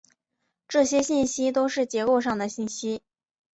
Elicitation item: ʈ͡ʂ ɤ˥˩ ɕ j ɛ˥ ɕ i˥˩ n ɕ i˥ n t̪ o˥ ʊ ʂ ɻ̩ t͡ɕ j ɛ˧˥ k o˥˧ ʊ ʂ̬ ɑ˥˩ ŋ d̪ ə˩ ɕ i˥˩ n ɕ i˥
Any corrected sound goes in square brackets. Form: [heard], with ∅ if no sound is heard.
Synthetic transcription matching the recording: ʈ͡ʂ ɤ˥˩ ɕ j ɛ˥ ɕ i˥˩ n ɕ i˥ [∅] t̪ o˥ ʊ ʂ ɻ̩ t͡ɕ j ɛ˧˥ k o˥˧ ʊ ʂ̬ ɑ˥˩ ŋ d̪ ə˩ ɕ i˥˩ n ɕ i˥

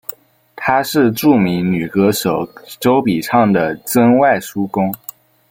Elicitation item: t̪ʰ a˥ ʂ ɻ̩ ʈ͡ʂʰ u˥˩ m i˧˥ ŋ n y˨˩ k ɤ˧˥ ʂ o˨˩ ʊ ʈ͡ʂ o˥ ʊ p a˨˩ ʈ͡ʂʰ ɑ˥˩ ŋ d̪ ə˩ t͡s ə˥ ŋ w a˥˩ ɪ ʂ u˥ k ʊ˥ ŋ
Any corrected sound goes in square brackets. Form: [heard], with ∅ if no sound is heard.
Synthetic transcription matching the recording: t̪ʰ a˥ ʂ ɻ̩ [ʈ͡ʂ] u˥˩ m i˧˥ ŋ n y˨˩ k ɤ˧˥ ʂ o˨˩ ʊ ʈ͡ʂ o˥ ʊ p [i˨˩] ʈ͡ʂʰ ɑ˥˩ ŋ d̪ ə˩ t͡s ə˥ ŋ w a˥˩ ɪ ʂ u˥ k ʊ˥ ŋ

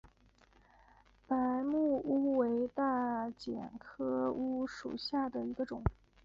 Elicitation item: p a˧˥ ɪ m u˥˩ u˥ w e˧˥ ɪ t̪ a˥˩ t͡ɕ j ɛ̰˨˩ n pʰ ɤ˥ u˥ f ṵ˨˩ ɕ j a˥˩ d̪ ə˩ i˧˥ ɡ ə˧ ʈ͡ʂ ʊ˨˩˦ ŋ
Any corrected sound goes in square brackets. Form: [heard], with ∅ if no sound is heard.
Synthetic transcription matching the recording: p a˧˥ ɪ m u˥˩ u˥ w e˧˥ ɪ t̪ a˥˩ t͡ɕ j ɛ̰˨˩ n [kʰ] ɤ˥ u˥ [ʂ] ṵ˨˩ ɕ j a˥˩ d̪ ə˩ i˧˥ ɡ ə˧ ʈ͡ʂ ʊ˨˩˦ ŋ

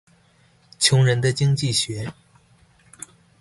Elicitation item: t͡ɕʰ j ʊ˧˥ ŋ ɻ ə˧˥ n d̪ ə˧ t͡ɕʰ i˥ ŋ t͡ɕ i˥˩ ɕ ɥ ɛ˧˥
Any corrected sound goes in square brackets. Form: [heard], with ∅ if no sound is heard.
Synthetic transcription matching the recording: t͡ɕʰ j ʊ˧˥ ŋ ɻ ə˧˥ n d̪ ə˧ [t͡ɕ] i˥ ŋ t͡ɕ i˥˩ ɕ ɥ ɛ˧˥

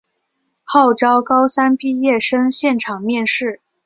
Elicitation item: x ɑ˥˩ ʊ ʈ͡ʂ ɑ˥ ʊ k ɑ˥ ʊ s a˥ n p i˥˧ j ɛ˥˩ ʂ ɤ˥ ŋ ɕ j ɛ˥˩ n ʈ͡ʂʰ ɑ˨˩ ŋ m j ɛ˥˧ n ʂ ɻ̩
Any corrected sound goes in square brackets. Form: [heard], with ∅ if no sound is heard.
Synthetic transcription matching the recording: x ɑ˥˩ ʊ ʈ͡ʂ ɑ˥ ʊ k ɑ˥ ʊ s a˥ n p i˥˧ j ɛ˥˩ ʂ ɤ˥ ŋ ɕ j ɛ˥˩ n ʈ͡ʂʰ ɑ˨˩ ŋ m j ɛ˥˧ n ʂ ɻ̩

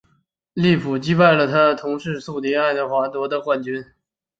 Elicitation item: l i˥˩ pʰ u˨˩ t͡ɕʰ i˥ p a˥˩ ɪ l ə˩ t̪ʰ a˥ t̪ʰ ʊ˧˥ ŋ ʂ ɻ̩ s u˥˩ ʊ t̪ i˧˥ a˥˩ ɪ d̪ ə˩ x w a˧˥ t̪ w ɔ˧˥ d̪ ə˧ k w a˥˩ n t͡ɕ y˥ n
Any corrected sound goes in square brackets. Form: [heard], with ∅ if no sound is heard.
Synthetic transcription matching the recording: l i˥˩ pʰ u˨˩ [t͡ɕ] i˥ p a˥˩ ɪ l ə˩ t̪ʰ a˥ t̪ʰ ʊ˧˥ ŋ ʂ ɻ̩ s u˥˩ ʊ t̪ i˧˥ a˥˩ ɪ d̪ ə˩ x w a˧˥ t̪ w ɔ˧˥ d̪ ə˧ k w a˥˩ n t͡ɕ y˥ n

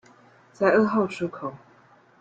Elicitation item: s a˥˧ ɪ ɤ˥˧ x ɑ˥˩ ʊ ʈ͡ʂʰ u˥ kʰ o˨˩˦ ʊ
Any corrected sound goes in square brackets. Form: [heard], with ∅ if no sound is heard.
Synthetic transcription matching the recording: [t͡s] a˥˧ ɪ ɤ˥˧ x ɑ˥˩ ʊ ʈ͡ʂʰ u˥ kʰ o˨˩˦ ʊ

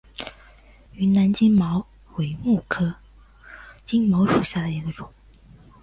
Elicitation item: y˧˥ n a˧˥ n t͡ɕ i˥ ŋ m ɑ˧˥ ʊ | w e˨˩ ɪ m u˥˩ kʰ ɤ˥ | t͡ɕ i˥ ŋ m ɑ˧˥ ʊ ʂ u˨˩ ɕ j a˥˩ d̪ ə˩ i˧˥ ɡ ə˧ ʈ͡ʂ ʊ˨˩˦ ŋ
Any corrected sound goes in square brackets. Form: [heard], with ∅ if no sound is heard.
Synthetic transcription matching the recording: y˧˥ n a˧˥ n t͡ɕ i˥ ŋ m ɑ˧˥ ʊ | w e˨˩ ɪ m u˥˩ kʰ ɤ˥ | t͡ɕ i˥ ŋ m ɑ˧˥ ʊ ʂ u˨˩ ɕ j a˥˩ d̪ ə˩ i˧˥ ɡ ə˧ ʈ͡ʂ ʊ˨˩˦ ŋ

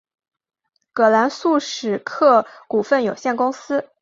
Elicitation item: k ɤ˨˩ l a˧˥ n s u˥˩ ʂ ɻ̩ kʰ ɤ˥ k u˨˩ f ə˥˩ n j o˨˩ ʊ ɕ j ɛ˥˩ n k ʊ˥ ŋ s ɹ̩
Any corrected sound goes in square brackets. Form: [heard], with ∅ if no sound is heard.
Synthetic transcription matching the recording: k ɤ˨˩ l a˧˥ n s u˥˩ ʂ ɻ̩ kʰ [ɤ˥˩] k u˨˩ f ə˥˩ n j o˨˩ ʊ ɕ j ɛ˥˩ n k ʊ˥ ŋ s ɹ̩

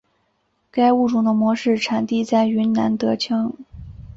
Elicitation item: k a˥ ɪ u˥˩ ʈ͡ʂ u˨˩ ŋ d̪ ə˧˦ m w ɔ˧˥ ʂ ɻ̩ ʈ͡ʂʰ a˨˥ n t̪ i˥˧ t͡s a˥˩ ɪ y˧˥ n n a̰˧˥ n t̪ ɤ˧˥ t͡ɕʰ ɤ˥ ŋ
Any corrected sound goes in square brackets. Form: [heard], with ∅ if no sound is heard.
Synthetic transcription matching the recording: k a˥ ɪ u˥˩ ʈ͡ʂ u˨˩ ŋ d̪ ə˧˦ m w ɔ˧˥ ʂ ɻ̩ ʈ͡ʂʰ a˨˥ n t̪ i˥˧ t͡s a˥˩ ɪ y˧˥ n n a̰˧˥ n t̪ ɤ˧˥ t͡ɕʰ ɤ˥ ŋ

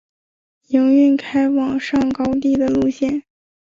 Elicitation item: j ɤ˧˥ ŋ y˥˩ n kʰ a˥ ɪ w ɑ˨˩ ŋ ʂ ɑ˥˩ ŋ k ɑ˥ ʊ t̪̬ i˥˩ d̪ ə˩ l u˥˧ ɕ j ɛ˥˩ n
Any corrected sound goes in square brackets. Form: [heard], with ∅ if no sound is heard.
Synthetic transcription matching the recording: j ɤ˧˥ ŋ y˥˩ n kʰ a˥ ɪ w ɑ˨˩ ŋ ʂ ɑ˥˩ ŋ k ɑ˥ ʊ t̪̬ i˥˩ d̪ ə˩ l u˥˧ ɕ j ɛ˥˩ n

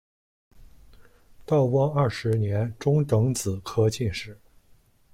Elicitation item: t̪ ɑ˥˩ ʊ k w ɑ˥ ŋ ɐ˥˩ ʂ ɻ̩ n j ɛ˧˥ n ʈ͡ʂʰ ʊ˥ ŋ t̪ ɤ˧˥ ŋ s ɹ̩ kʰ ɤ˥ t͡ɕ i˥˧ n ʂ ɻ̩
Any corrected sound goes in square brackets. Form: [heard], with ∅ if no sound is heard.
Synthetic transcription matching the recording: t̪ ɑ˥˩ ʊ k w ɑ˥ ŋ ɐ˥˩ ʂ ɻ̩ n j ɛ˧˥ n [ʈ͡ʂ] ʊ˥ ŋ t̪ ɤ˧˥ ŋ [t͡s] ɹ̩ kʰ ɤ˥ t͡ɕ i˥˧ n ʂ ɻ̩

